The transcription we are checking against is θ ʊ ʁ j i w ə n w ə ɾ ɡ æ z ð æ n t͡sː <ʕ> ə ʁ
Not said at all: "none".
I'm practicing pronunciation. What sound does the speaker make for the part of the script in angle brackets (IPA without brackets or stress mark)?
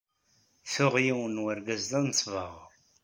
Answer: v